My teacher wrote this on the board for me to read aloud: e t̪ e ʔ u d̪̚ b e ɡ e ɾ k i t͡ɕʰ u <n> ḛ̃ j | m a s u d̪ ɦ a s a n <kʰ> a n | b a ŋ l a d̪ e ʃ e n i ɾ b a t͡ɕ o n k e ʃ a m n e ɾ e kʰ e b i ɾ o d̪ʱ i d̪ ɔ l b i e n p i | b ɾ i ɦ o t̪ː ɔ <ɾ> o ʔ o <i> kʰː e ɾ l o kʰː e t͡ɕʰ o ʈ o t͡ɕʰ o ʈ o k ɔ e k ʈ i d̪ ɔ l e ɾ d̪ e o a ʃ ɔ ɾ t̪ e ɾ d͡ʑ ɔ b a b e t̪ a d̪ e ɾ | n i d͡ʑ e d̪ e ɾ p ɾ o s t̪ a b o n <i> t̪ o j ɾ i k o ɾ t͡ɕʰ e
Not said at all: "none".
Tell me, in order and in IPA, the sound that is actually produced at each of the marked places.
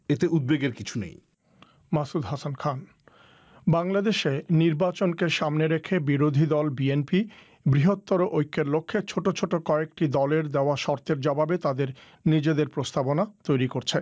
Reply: n, kʰ, ɾ, j, a

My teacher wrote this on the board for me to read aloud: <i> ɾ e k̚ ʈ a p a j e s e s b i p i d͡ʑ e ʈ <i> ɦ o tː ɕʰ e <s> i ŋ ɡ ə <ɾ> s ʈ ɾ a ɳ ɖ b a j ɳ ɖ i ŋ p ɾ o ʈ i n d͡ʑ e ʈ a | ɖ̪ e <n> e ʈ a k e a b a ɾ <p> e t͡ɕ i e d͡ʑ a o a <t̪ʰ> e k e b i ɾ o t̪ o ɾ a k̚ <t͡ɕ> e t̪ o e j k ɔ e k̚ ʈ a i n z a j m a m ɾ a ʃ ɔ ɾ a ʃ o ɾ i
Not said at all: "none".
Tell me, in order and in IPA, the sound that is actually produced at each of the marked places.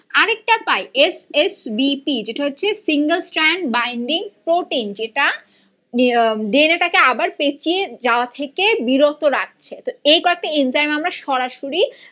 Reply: a, a, s, l, n, p, t̪ʰ, t͡ɕʰ

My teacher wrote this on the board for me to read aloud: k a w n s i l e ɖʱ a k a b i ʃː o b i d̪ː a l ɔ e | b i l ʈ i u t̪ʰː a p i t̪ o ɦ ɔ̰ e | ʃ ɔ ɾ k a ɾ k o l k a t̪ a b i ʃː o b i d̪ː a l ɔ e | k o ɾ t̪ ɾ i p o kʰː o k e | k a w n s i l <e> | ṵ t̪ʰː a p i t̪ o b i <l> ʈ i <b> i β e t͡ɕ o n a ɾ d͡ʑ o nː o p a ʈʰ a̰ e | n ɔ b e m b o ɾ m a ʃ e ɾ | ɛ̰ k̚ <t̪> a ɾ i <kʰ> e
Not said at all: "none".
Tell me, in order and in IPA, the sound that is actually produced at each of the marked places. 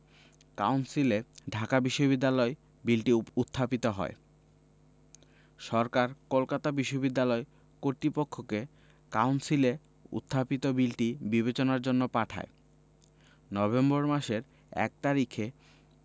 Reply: e, l, b, t̪, kʰ

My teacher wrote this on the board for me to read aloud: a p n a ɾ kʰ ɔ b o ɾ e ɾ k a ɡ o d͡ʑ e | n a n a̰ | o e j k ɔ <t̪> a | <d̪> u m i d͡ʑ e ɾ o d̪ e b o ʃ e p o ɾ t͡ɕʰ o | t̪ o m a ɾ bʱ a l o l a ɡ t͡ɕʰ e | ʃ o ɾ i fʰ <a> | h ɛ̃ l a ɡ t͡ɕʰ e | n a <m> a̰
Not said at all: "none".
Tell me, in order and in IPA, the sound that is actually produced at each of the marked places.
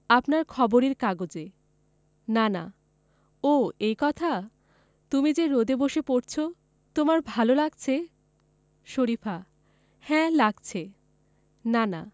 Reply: t̪ʰ, t̪, a, n

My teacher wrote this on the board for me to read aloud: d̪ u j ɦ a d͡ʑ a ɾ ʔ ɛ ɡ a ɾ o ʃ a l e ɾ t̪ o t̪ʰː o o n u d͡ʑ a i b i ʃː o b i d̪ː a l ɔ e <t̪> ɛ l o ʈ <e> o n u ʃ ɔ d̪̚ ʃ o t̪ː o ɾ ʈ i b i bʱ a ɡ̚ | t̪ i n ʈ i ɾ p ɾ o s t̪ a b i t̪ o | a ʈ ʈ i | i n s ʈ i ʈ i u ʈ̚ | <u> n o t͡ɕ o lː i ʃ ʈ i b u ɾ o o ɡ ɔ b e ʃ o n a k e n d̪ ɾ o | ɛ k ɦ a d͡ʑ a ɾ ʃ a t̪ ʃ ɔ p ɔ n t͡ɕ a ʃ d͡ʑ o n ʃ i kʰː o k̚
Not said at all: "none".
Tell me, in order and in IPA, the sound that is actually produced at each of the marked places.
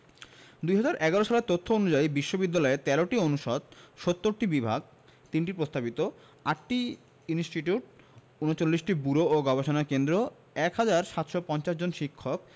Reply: t̪, i, u

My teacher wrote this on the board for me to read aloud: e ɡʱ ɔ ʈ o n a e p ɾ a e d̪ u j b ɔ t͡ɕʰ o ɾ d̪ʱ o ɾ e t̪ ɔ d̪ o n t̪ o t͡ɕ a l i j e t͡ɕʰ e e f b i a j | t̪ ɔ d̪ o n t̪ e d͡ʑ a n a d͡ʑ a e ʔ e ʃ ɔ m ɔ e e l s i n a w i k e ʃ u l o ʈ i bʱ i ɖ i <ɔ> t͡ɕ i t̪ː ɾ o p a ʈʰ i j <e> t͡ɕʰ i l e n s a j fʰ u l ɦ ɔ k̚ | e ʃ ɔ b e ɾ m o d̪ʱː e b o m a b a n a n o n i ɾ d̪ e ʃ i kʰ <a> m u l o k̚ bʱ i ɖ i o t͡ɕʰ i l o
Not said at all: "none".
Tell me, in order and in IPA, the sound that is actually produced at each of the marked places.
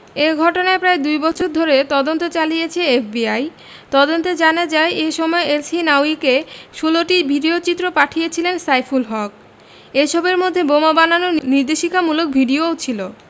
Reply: o, e, a

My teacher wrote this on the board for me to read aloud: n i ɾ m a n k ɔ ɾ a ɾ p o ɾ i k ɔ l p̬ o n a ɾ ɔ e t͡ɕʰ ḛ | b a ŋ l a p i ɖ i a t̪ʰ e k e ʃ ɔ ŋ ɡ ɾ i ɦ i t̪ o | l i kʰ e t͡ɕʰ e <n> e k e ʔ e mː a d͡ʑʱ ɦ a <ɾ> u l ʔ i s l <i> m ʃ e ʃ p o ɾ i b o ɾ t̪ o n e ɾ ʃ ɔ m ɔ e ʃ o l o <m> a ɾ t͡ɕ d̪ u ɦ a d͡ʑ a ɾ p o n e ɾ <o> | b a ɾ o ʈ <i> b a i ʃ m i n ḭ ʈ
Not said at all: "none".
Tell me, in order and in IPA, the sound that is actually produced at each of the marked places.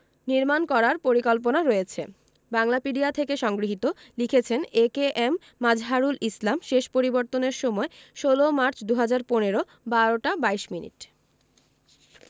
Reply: n, ɾ, a, m, o, a

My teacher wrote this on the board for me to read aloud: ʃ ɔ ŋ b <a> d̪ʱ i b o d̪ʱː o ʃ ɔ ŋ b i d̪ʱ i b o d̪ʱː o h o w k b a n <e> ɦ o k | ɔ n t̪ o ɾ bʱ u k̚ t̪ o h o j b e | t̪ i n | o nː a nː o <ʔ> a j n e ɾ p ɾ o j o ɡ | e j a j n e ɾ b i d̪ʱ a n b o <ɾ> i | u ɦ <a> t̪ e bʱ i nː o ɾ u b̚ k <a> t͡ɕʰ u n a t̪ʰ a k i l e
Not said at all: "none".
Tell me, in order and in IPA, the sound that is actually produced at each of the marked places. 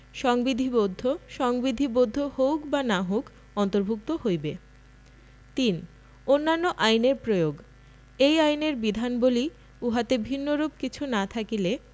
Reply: i, a, ʔ, l, a, i

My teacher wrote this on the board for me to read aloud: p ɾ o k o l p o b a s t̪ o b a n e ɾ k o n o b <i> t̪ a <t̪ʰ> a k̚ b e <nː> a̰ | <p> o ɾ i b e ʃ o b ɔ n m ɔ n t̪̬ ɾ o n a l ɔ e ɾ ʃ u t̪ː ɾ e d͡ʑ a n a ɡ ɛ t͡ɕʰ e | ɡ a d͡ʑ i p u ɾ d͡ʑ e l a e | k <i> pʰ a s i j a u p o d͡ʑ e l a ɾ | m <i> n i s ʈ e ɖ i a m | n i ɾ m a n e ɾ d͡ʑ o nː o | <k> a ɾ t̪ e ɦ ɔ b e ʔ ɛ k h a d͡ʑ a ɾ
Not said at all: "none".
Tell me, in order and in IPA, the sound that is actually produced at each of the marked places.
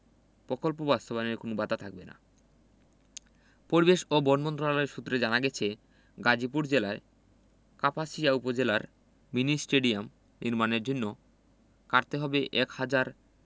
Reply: a, t̪ʰ, n, p, a, i, k

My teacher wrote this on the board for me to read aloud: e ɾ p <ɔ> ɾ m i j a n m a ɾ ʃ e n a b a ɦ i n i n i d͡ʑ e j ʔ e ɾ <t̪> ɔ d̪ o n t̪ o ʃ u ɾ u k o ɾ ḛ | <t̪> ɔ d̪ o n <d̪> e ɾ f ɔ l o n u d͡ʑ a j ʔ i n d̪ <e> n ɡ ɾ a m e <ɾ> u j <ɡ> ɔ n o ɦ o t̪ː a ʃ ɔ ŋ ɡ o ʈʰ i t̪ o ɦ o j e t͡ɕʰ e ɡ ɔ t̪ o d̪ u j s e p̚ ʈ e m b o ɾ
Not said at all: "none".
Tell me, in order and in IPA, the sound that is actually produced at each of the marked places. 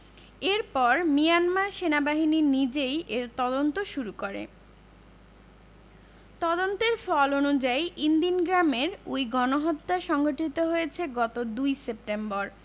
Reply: ɔ, t̪, t̪, t̪, i, ɾ, ɡ

